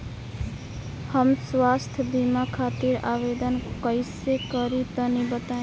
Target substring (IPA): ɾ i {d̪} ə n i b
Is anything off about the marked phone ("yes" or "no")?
yes